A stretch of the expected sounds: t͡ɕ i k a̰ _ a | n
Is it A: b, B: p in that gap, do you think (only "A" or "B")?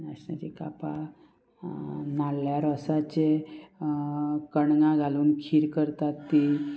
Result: B